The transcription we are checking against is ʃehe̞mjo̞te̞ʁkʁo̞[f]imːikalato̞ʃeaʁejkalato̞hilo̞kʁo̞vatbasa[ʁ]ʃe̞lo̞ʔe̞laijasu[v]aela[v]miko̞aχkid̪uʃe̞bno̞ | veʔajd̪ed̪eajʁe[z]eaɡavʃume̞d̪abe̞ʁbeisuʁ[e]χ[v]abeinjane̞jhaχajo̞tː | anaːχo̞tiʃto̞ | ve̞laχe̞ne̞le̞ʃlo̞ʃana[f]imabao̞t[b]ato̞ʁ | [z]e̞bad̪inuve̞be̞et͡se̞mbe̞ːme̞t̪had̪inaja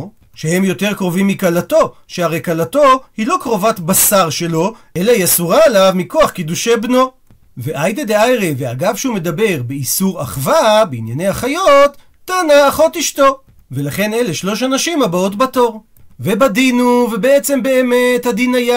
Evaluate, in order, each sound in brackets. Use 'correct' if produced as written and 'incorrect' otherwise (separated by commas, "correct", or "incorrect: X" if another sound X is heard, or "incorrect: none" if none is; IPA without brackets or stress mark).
incorrect: v, correct, incorrect: ʁ, correct, incorrect: v, incorrect: a, correct, incorrect: ʃ, correct, incorrect: v